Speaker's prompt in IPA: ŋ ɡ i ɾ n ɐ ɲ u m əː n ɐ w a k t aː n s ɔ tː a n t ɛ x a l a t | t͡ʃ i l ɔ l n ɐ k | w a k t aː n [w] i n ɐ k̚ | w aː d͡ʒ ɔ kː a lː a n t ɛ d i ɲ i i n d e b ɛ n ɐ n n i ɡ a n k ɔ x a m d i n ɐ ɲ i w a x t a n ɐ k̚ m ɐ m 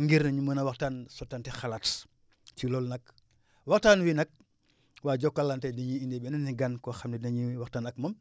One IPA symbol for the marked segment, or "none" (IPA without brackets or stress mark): w